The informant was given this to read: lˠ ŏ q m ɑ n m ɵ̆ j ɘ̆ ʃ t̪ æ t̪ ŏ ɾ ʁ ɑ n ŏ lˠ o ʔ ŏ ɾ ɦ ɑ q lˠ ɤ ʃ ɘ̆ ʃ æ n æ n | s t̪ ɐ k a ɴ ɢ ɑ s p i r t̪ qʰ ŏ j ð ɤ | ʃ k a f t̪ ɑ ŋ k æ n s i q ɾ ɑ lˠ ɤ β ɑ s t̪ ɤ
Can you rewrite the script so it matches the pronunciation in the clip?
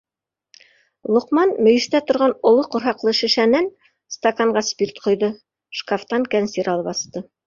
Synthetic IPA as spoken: lˠ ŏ q m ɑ n m ɵ̆ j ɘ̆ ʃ t̪ æ t̪ ŏ ɾ ʁ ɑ n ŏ lˠ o q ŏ ɾ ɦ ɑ q lˠ ɤ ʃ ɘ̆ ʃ æ n æ n | s t̪ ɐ k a ɴ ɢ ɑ s p i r t̪ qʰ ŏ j ð ɤ | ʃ k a f t̪ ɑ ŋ k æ n s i ɾ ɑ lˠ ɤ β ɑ s t̪ ɤ